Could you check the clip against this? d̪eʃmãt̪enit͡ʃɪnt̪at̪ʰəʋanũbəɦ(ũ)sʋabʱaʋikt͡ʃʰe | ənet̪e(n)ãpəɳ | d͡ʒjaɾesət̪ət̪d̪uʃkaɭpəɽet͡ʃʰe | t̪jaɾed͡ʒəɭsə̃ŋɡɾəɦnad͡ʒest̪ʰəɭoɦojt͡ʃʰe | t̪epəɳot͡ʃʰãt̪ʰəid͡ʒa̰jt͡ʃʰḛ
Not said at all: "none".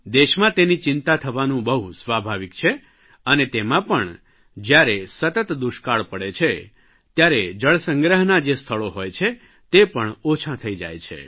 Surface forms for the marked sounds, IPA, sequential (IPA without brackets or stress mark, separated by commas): u, m